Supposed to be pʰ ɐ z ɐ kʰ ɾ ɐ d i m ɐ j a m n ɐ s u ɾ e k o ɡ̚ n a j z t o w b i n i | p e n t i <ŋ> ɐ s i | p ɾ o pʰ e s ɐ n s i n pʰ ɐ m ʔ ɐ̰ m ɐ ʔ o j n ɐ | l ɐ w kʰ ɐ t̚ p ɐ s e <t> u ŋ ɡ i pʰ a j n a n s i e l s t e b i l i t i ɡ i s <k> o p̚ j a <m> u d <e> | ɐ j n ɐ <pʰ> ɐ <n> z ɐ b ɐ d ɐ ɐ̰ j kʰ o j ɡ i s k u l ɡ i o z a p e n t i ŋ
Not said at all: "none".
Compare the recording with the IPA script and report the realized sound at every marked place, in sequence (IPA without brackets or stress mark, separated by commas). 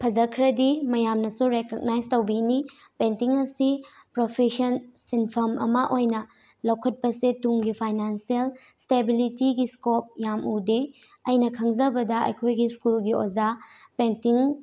ŋ, t, k, m, e, kʰ, ŋ